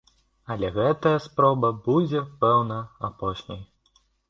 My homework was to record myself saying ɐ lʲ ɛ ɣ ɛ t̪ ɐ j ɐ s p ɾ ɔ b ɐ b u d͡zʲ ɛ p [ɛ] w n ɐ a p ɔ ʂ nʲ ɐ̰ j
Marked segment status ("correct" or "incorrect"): correct